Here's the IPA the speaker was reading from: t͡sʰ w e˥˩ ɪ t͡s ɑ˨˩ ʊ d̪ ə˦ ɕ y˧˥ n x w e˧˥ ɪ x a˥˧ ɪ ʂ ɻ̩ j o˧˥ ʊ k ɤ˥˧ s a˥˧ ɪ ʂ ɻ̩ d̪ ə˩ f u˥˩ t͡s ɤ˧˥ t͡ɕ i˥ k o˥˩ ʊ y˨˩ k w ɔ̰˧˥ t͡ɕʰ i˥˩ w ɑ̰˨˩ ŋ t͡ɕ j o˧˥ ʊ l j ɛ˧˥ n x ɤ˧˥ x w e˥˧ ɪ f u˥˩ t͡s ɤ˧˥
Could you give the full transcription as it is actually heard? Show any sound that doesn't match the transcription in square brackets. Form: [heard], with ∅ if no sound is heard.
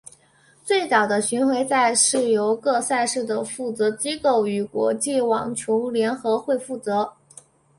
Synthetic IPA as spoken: [t͡s] w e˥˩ ɪ t͡s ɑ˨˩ ʊ d̪ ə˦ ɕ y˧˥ n x w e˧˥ ɪ [s] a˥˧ ɪ ʂ ɻ̩ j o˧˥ ʊ k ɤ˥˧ s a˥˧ ɪ ʂ ɻ̩ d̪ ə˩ f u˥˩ t͡s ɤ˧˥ t͡ɕ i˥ k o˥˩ ʊ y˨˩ k w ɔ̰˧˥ [t͡ɕ] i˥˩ w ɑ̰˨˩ ŋ [t͡ɕʰ] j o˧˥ ʊ l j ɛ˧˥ n x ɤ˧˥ x w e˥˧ ɪ f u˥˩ t͡s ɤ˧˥